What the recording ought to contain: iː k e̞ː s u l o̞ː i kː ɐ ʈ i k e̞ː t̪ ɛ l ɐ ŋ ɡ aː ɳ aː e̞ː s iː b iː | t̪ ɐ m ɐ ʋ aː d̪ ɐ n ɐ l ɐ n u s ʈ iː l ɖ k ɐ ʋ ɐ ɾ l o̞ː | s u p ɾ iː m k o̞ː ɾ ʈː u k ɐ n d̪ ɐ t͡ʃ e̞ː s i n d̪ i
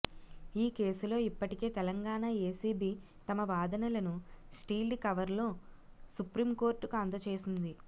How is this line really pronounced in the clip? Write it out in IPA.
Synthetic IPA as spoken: iː k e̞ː s u l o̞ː i pː ɐ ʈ i k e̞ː t̪ ɛ l ɐ ŋ ɡ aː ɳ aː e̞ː s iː b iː | t̪ ɐ m ɐ ʋ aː d̪ ɐ n ɐ l ɐ n u s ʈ iː l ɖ k ɐ ʋ ɐ ɾ l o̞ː | s u p ɾ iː m k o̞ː ɾ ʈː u k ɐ n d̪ ɐ t͡ʃ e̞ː s i n d̪ i